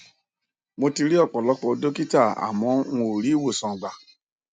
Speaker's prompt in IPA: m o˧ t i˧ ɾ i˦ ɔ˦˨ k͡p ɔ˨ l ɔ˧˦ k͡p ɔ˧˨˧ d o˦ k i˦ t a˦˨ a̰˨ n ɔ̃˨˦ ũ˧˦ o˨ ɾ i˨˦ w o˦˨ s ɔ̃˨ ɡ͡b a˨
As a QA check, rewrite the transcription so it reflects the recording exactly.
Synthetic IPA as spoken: m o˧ t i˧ ɾ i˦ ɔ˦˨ k͡p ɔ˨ l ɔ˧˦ k͡p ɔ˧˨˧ d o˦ k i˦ t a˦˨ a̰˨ m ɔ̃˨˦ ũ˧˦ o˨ ɾ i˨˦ w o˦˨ s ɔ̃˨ ɡ͡b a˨

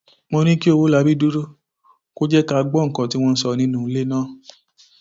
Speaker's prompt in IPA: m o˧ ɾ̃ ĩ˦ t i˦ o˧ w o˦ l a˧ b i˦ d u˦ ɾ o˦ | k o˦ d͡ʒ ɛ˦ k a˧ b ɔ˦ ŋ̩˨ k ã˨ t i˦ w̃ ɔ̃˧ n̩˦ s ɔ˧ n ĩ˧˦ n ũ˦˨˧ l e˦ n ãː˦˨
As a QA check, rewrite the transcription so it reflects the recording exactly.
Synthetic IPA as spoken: m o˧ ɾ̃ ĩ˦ k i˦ o˧ w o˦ l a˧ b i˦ d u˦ ɾ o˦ | k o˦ d͡ʒ ɛ˦ k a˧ ɡ͡b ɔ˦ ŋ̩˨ k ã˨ t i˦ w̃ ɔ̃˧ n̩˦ s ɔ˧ n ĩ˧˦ n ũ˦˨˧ l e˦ n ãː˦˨

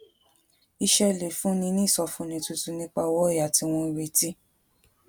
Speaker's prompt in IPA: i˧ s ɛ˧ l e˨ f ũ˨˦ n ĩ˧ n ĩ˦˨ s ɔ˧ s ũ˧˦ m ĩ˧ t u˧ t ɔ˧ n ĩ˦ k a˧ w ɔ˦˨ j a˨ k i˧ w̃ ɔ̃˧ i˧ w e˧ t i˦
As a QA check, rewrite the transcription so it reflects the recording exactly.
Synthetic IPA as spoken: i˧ ʃ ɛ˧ l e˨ f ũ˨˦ n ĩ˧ n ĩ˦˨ s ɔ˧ f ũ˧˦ n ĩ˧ t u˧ t u˧ n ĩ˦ k͡p a˧ w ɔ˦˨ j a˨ t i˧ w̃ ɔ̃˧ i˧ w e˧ t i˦

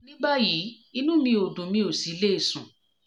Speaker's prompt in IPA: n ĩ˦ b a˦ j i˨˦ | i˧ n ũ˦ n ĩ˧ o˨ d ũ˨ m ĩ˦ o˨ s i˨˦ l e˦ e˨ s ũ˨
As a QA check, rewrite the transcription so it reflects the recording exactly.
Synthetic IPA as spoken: n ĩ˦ b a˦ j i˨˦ | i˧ n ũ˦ m ĩ˧ o˨ d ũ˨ m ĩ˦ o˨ s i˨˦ l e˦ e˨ s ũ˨

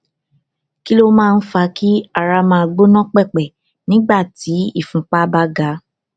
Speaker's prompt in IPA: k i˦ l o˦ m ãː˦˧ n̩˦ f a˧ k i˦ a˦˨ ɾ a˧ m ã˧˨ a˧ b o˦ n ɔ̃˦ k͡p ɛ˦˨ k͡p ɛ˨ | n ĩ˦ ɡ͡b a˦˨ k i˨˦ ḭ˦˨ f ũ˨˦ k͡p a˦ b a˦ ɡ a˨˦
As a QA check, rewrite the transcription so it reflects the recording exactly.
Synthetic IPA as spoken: k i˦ l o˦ m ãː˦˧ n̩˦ f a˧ k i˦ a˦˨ ɾ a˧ m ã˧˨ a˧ ɡ͡b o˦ n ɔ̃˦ k͡p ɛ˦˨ k͡p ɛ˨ | n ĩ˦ ɡ͡b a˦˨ t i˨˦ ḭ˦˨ f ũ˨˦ k͡p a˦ b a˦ ɡ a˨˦

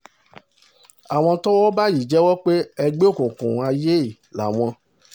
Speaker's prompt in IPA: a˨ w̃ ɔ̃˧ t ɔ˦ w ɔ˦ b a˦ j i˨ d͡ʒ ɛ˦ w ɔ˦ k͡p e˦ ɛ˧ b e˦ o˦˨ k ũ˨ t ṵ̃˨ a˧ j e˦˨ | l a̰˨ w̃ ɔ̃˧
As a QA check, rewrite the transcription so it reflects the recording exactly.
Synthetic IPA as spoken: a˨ w̃ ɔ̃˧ t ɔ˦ w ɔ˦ b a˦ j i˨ d͡ʒ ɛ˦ w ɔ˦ k͡p e˦ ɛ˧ ɡ͡b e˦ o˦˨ k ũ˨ k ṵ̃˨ a˧ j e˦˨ | l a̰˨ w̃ ɔ̃˧

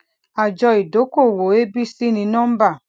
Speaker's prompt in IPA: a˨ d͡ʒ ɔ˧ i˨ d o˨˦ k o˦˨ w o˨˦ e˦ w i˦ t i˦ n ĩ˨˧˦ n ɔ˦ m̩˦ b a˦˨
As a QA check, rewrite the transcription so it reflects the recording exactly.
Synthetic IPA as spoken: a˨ d͡ʒ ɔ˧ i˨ d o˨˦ k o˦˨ w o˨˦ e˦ b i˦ s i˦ n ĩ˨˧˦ n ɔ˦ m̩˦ b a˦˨

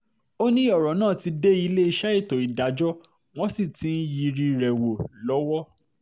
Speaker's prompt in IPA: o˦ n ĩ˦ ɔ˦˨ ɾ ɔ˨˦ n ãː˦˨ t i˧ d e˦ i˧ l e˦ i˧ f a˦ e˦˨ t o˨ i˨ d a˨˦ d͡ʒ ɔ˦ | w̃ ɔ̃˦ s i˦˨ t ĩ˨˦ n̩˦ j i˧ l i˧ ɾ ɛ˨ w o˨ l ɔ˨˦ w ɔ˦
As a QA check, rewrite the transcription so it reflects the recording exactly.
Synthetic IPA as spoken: o˦ n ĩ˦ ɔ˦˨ ɾ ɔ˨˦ n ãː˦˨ t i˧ d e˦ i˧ l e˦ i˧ ʃ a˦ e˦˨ t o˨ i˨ d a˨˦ d͡ʒ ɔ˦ | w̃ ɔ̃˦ s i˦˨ t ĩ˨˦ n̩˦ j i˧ ɾ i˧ ɾ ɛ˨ w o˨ l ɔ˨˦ w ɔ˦

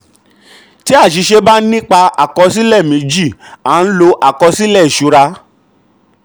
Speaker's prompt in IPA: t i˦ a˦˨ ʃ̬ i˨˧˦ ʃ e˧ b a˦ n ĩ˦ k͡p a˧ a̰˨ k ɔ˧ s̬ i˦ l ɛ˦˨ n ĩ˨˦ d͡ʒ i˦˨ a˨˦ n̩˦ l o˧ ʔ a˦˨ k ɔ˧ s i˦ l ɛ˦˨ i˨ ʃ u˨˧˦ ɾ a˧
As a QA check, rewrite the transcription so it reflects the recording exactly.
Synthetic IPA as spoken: t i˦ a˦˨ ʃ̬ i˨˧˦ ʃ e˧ b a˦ n ĩ˦ k͡p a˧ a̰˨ k ɔ˧ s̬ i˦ l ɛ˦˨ m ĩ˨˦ d͡ʒ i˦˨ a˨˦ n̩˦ l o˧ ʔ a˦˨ k ɔ˧ s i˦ l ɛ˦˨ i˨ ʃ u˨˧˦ ɾ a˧

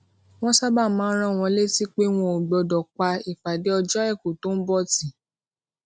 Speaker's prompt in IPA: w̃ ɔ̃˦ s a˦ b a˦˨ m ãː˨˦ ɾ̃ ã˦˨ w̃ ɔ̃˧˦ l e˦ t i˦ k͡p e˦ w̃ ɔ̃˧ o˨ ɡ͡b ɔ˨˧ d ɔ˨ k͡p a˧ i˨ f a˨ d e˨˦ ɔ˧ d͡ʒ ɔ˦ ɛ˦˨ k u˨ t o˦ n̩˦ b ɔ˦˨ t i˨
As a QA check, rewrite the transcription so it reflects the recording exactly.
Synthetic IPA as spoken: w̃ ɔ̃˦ s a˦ b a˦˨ m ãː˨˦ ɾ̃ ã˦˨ w̃ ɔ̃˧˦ l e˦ t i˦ k͡p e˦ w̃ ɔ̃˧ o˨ ɡ͡b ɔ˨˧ d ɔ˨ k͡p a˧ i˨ f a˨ d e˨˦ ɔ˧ d͡ʒ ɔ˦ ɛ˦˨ k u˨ t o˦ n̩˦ b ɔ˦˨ t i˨

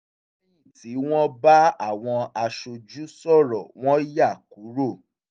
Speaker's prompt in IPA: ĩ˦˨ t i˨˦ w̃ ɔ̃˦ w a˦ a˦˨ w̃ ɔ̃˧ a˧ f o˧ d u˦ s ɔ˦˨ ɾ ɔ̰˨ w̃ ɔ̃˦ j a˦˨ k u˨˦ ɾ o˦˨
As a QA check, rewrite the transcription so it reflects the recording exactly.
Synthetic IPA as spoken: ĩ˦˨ t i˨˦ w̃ ɔ̃˦ b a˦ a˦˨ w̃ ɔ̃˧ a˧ ʃ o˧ d͡ʒ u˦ s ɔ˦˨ ɾ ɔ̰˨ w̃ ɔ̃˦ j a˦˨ k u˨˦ ɾ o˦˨

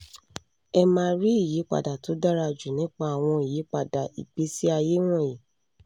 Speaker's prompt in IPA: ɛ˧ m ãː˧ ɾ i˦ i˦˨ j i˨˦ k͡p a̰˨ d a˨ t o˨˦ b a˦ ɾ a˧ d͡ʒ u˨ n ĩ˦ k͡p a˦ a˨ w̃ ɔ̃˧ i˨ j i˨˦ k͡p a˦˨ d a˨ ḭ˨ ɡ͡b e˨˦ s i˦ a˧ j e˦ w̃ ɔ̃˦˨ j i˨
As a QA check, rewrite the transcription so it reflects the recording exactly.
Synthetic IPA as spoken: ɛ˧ m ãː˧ ɾ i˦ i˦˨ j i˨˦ k͡p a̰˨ d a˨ t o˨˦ d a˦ ɾ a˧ d͡ʒ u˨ n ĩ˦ k͡p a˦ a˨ w̃ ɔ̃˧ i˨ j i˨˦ k͡p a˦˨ d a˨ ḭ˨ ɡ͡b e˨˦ s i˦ a˧ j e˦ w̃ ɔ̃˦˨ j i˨

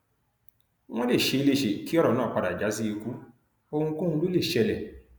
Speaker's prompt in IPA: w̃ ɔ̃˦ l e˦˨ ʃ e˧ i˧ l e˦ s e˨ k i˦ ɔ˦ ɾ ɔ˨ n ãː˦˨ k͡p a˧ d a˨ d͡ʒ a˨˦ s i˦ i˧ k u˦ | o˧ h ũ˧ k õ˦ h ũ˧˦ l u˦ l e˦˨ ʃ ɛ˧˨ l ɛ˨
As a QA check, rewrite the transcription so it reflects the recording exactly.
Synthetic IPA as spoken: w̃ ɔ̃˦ l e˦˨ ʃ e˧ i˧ l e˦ ʃ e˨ k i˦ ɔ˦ ɾ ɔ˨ n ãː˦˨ k͡p a˧ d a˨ d͡ʒ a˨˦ s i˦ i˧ k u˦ | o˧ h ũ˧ k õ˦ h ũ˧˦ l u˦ l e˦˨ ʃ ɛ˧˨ l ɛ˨

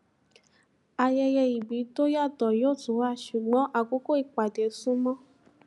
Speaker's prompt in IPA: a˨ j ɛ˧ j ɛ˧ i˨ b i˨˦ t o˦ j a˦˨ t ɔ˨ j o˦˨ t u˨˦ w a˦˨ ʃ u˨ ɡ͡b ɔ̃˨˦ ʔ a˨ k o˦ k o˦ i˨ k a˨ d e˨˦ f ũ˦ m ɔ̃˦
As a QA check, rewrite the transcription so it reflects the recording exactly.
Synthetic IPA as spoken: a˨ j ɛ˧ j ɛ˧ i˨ b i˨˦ t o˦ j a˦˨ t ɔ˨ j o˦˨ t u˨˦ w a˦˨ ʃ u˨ ɡ͡b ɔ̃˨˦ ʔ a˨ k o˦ k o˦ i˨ k͡p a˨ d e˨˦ s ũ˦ m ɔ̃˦

